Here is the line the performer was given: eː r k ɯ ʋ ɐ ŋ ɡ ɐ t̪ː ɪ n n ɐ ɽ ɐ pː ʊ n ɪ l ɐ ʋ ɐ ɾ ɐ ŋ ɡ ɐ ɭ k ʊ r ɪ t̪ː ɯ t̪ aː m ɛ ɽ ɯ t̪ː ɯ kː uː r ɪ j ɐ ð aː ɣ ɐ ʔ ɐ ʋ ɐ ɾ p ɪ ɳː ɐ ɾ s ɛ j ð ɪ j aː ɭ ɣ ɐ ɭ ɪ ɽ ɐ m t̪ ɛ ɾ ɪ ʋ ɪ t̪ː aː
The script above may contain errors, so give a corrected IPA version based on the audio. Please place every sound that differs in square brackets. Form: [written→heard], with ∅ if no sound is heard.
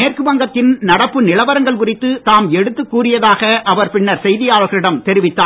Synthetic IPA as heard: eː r k ɯ ʋ ɐ ŋ ɡ ɐ t̪ː ɪ n n ɐ ɽ ɐ pː [ʊ→ɯ] n ɪ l ɐ ʋ ɐ ɾ ɐ ŋ ɡ ɐ ɭ k ʊ r ɪ t̪ː ɯ t̪ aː m ɛ ɽ ɯ t̪ː ɯ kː uː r ɪ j ɐ ð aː ɣ ɐ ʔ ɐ ʋ ɐ ɾ p ɪ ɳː ɐ ɾ s ɛ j ð ɪ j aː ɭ ɣ ɐ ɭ ɪ ɽ ɐ m t̪ ɛ ɾ ɪ ʋ ɪ t̪ː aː